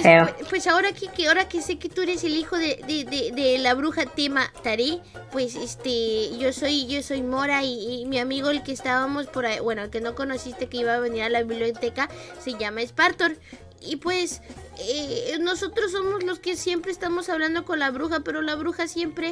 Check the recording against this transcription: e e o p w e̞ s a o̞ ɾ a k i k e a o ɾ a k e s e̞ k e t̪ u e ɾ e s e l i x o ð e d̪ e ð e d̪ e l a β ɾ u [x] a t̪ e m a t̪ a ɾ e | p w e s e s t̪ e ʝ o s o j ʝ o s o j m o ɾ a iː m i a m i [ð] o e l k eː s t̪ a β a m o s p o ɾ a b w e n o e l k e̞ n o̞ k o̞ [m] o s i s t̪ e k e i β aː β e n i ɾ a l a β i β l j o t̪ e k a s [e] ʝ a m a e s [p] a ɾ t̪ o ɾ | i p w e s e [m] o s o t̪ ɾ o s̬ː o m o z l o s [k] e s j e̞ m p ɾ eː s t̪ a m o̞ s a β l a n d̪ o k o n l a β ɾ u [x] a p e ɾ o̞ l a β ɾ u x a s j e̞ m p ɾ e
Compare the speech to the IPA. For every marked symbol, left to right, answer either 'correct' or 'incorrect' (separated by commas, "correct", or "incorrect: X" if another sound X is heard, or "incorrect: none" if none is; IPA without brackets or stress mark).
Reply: correct, incorrect: ɣ, incorrect: n, correct, correct, incorrect: n, correct, correct